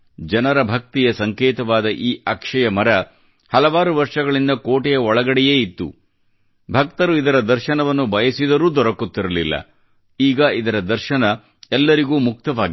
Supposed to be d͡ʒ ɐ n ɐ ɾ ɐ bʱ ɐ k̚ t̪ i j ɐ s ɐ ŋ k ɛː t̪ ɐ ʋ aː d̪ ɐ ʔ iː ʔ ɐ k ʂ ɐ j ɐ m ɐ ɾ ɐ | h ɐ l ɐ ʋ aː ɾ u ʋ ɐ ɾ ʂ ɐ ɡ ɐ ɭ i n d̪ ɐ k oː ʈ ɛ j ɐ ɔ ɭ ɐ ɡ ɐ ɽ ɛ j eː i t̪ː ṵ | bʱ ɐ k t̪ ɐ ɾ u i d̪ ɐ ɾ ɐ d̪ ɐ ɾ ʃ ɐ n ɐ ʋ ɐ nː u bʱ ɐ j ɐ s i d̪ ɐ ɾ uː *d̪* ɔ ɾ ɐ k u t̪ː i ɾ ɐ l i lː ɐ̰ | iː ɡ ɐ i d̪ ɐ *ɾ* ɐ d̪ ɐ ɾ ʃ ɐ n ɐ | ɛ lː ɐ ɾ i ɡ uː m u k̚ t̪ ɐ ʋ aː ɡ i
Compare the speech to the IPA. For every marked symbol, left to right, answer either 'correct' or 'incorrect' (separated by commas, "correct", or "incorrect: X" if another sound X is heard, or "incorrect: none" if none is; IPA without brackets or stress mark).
correct, correct